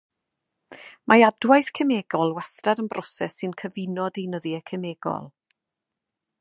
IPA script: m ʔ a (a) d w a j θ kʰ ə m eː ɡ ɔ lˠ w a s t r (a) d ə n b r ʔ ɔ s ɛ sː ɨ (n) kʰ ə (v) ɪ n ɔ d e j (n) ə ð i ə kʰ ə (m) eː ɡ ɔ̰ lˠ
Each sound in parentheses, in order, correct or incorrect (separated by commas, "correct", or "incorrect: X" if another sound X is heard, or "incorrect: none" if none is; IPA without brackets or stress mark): correct, correct, correct, correct, correct, correct